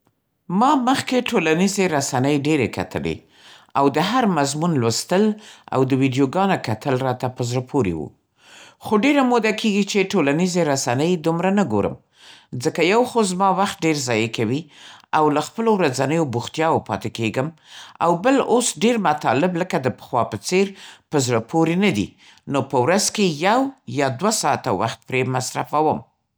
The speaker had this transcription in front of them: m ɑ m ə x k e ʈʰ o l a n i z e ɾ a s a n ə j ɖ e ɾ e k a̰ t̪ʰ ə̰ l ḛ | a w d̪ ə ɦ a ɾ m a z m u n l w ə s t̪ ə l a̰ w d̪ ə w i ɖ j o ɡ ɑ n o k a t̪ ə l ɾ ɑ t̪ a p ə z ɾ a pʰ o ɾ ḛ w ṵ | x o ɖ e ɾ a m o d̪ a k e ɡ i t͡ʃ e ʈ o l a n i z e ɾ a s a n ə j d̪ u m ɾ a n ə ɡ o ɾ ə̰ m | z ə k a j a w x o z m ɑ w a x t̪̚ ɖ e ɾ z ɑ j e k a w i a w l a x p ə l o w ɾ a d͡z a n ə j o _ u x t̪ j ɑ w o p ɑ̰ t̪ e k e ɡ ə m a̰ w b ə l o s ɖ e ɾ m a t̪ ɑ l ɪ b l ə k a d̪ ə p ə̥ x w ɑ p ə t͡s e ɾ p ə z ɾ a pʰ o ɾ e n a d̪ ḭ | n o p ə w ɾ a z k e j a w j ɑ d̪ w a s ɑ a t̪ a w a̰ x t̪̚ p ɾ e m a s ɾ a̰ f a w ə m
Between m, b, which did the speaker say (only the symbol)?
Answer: b